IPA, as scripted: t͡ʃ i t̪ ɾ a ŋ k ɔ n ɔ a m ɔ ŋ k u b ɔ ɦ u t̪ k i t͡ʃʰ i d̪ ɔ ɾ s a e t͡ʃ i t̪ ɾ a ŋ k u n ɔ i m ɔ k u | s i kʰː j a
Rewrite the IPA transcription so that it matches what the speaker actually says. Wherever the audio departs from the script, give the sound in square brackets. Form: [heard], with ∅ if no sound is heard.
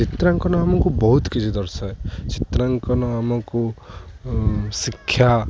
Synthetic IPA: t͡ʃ i t̪ ɾ a ŋ k ɔ n ɔ a m ɔ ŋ k u b ɔ ɦ u t̪ k i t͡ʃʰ i d̪ ɔ ɾ s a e t͡ʃ i t̪ ɾ a ŋ k [ɔ] n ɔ [a] m ɔ k u | s i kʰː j a